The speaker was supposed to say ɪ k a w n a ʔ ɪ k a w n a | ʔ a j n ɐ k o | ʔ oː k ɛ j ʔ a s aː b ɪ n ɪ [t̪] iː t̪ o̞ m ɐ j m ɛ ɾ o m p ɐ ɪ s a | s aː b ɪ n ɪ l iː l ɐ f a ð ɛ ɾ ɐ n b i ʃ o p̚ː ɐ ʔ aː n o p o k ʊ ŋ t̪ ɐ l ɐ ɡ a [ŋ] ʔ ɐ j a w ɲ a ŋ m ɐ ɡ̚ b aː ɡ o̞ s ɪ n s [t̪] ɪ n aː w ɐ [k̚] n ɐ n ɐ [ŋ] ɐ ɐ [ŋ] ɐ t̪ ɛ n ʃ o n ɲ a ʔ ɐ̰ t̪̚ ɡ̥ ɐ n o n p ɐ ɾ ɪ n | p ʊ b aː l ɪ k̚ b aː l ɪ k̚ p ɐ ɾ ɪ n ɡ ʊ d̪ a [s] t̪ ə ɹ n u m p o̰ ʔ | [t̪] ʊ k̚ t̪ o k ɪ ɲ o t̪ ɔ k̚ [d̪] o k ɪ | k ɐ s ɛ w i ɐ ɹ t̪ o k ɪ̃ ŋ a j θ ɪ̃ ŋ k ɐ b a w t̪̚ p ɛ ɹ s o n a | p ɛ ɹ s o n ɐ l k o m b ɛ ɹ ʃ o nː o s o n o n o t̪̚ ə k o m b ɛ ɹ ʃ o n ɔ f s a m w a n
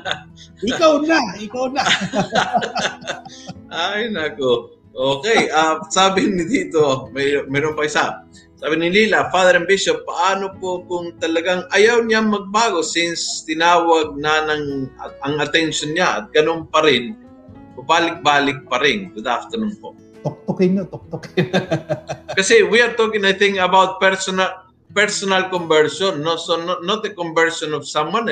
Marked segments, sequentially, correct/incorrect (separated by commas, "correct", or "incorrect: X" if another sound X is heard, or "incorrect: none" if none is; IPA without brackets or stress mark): incorrect: d̪, correct, correct, incorrect: ɡ̚, correct, correct, incorrect: f, correct, incorrect: t̪